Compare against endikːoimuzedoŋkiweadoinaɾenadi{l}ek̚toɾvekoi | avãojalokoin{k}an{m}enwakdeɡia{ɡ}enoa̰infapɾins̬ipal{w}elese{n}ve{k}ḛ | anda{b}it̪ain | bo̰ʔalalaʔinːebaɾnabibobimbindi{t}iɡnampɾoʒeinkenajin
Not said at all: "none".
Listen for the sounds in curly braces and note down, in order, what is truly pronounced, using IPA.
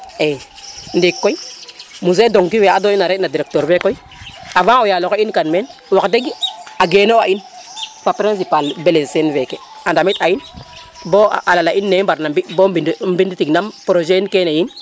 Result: ɾ, k, m, ɡ, b, n, k, m, t

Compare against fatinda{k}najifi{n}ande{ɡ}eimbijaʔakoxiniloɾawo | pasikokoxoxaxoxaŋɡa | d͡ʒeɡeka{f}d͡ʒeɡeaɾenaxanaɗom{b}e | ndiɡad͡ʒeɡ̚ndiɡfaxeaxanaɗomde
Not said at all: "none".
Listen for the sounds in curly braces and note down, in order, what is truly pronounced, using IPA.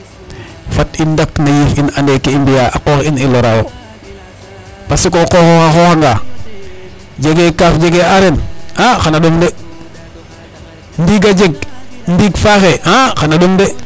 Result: k, n, k, f, d

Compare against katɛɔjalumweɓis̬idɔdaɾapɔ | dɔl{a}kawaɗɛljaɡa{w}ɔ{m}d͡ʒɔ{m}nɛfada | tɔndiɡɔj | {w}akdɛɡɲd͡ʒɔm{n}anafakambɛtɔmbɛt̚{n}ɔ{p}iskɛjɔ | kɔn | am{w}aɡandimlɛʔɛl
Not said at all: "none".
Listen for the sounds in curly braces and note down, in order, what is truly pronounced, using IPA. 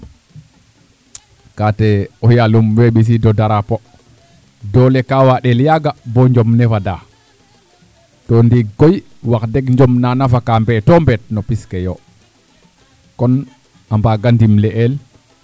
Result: ɛ, b, ɲ, m, w, n, n, p, b

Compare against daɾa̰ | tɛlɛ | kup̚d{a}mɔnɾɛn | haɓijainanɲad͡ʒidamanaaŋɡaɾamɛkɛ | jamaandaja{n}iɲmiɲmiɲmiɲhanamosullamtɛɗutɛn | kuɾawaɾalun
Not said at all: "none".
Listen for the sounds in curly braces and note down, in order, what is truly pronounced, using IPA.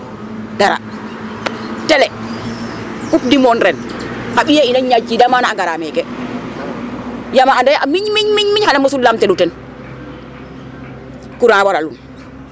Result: i, m

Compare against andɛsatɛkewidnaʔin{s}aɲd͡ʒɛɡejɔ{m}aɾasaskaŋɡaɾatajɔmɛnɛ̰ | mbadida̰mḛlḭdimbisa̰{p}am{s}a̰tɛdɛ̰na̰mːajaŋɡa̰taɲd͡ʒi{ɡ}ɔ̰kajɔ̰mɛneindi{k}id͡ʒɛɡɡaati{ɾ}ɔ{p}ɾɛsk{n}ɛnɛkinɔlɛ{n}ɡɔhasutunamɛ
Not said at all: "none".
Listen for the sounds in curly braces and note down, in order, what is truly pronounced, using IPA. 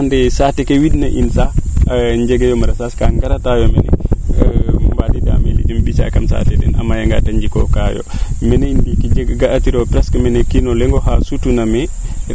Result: s, m, k, s, k, k, ɾ, p, m, ŋ

